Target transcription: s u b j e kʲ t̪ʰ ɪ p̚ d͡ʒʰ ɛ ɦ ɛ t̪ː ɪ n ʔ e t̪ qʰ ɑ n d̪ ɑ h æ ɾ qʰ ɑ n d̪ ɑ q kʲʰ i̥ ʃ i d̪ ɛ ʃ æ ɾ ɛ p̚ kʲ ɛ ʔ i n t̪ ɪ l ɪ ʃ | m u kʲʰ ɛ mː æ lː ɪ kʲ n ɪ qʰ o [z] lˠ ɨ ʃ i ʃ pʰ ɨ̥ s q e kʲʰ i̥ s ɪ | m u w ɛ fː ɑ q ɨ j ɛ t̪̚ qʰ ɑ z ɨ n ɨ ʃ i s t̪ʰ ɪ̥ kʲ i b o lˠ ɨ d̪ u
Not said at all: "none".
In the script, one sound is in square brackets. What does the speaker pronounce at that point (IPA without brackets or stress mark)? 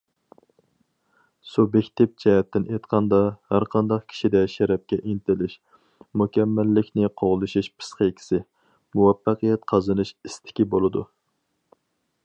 ʁ